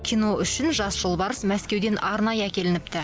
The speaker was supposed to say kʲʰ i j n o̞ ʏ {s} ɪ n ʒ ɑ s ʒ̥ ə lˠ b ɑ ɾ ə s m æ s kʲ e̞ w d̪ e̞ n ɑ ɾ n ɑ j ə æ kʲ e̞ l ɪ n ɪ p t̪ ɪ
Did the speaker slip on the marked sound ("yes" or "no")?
yes